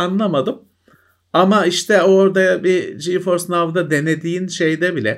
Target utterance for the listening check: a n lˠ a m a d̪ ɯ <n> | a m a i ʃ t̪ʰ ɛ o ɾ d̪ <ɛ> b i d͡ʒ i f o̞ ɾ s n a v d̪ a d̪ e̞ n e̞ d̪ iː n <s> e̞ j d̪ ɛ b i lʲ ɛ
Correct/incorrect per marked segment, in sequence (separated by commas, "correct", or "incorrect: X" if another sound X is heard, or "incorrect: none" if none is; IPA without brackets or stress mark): incorrect: m, incorrect: a, incorrect: ʃ